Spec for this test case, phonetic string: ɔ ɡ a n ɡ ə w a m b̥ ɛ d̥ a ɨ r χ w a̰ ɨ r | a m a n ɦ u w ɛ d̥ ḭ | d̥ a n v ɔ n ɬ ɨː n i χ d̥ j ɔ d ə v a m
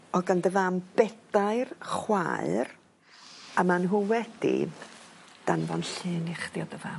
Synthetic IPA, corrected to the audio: ɔ ɡ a n d ə v a m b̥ ɛ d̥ a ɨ r χ w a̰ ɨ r | a m a n ɦ u w ɛ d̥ ḭ | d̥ a n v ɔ n ɬ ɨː n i χ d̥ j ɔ d ə v a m